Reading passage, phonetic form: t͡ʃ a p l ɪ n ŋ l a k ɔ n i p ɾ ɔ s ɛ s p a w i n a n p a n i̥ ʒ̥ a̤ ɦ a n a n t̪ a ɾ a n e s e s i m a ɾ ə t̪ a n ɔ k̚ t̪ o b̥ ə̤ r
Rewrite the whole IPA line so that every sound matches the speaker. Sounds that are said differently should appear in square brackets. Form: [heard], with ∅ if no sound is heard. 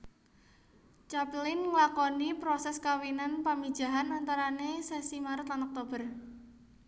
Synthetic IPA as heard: t͡ʃ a p l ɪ n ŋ l a k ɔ n i p ɾ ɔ s ɛ s [k] a w i n a n p a [m] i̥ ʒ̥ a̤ ɦ a n a n t̪ a ɾ a n e s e s i m a ɾ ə t̪ a n ɔ k̚ t̪ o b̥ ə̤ r